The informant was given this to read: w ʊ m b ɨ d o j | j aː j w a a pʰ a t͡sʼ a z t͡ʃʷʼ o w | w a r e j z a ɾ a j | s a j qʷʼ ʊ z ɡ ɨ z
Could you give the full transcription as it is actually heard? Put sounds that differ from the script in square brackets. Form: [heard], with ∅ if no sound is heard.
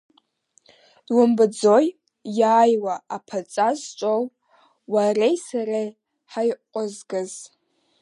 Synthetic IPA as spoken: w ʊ m b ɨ [d͡z] o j | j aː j w a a pʰ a t͡sʼ a z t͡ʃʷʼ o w | w a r e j [s] a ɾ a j | [ħ] a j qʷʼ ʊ z ɡ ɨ z